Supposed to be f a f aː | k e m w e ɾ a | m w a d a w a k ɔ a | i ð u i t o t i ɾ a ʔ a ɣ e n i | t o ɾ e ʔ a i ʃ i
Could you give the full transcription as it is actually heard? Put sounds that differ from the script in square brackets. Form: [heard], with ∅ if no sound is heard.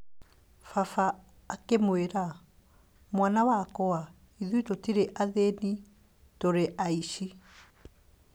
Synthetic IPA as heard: f a f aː | k e m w e ɾ a | m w a [n] a w a k ɔ a | i ð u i t o t i ɾ [e] ʔ a [ð] e n i | t o ɾ e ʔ a i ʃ i